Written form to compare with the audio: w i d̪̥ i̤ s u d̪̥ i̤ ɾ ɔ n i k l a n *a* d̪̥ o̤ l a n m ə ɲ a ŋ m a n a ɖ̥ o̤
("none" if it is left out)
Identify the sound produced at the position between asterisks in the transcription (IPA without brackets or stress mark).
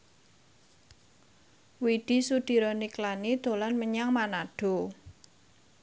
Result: i